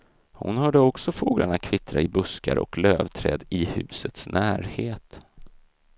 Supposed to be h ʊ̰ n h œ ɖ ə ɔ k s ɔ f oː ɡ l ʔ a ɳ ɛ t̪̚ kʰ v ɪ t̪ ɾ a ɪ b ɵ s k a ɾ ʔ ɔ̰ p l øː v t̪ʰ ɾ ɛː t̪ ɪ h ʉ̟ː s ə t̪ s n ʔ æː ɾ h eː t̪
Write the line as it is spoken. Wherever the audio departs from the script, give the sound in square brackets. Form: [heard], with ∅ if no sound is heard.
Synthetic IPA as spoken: h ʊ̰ n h [œː] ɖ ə ɔ k s ɔ f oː ɡ l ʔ a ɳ [a] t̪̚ kʰ v ɪ t̪ ɾ a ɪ b ɵ s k a ɾ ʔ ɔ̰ [k] l øː v t̪ʰ ɾ ɛː [d̪] ɪ h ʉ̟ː s ə t̪ s n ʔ æː ɾ h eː t̪